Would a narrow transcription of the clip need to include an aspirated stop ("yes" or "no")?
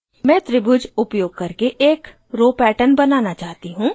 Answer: no